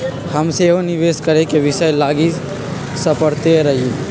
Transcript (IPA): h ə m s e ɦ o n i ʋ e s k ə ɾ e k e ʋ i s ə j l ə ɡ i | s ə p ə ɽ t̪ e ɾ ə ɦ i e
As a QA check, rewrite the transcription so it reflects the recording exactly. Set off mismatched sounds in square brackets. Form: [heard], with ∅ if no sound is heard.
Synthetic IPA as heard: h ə m s e ɦ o n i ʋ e s k ə ɾ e k e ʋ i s ə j l [a] ɡ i | s ə p ə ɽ t̪ e ɾ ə ɦ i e